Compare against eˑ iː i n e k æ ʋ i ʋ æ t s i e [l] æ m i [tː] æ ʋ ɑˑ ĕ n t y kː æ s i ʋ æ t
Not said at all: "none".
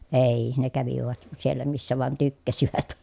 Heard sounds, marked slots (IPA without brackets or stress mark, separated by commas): lː, sː